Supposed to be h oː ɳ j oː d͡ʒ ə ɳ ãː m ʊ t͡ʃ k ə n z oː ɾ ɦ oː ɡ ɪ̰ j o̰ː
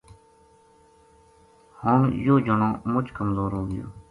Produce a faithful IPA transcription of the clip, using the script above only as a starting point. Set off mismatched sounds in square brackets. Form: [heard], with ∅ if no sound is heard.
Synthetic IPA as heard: h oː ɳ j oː d͡ʒ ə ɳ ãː m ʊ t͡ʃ k ə [m] z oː ɾ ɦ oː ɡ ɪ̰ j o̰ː

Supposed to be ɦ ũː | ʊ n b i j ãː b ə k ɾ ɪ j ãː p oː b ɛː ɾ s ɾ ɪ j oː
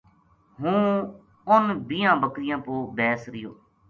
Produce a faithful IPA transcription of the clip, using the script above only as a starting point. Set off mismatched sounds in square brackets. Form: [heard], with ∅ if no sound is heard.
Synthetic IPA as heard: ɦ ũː | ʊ n b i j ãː b ə k ɾ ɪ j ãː p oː b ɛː [∅] s ɾ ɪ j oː

